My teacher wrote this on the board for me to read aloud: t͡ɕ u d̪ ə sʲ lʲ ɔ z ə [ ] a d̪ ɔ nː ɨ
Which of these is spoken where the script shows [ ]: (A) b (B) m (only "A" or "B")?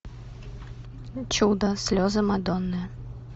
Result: B